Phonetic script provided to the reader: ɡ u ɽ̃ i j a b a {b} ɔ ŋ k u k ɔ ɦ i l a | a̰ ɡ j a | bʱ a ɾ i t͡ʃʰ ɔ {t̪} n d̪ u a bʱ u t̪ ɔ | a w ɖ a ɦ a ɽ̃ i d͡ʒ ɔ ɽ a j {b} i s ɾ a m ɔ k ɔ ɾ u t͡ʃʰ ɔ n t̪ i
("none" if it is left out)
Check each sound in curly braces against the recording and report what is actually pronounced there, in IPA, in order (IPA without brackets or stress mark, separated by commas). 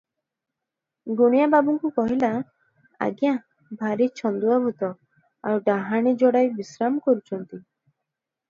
b, none, b